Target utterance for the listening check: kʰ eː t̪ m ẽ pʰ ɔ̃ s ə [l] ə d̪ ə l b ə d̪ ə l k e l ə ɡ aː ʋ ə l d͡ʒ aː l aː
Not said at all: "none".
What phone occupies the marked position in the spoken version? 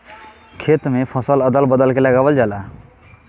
l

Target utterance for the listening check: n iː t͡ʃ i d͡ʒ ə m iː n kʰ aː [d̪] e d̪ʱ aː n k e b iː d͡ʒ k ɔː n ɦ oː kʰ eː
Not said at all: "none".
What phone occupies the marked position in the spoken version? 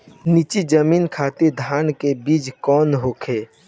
t̪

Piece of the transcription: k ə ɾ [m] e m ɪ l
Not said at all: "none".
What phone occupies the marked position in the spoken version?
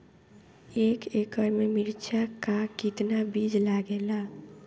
m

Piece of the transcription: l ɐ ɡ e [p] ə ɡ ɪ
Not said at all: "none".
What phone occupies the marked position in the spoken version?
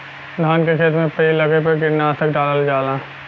p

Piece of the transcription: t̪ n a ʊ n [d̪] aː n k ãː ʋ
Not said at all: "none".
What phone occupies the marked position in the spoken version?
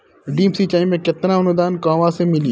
d̪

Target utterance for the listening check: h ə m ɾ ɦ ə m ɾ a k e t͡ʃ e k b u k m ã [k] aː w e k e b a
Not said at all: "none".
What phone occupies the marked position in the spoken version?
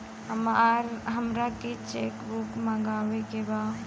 ɡ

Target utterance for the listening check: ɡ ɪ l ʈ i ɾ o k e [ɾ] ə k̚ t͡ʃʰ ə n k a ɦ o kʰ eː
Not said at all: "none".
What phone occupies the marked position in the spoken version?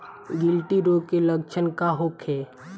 l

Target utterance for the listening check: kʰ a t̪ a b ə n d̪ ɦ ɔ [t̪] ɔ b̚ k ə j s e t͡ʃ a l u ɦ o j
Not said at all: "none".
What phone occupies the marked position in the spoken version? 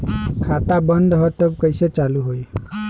t̪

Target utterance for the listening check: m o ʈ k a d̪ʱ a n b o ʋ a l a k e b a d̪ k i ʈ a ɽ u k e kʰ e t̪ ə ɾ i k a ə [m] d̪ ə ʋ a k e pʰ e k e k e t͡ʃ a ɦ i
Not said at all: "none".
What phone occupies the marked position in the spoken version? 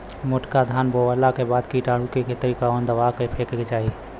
n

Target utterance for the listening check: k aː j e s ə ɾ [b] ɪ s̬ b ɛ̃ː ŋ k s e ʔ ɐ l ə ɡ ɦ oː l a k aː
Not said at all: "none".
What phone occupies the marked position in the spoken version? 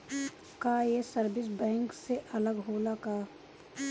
b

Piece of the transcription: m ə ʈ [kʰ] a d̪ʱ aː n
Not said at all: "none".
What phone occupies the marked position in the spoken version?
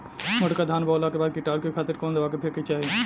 k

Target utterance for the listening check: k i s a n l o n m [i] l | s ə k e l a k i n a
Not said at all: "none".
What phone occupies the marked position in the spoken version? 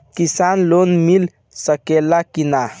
i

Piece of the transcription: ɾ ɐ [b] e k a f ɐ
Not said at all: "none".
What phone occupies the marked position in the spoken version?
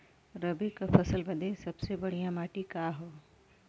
b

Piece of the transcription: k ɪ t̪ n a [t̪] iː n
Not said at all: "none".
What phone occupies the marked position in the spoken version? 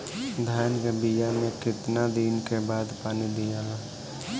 d̪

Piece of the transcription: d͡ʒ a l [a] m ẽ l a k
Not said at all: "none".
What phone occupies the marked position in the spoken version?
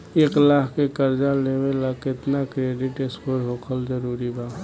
e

